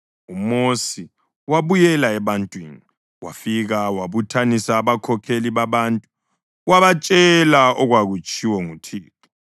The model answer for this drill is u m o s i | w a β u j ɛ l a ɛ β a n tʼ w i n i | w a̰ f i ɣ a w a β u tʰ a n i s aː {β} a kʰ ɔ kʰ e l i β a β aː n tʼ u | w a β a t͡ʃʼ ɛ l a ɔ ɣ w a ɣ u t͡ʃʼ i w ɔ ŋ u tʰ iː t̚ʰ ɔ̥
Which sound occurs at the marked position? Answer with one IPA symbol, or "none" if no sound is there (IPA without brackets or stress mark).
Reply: β